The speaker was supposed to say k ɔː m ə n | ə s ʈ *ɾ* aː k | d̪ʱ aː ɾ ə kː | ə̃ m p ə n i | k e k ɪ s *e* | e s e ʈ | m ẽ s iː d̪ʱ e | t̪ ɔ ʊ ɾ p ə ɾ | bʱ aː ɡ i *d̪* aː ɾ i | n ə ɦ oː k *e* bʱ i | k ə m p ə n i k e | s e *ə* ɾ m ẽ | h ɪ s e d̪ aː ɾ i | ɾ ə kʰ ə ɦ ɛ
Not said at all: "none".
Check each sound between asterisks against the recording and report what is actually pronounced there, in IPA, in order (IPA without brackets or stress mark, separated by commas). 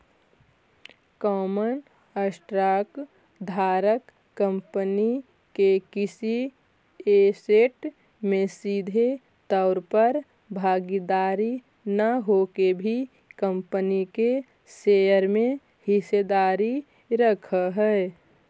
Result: ɾ, i, d̪, e, ə